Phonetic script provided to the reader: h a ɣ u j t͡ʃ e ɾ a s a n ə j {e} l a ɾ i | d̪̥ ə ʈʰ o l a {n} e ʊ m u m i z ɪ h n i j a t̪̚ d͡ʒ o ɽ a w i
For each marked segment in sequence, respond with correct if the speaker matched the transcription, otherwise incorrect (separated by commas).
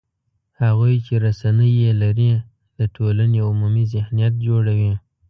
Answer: correct, correct